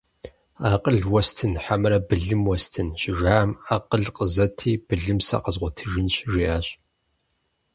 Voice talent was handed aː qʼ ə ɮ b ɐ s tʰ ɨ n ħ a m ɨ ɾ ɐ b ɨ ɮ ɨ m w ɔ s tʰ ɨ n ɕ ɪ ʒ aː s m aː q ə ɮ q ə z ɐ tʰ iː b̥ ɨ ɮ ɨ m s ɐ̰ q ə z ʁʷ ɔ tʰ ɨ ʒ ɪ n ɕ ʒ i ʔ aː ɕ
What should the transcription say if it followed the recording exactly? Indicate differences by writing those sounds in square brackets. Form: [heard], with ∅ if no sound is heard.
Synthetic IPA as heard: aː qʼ ə ɮ [w] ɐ s tʰ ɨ n ħ a m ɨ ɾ ɐ b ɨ ɮ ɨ m w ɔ s tʰ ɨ n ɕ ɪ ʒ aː [∅] m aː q ə ɮ q ə z ɐ tʰ iː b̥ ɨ ɮ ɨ m s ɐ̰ q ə z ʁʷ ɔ tʰ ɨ ʒ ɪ n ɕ ʒ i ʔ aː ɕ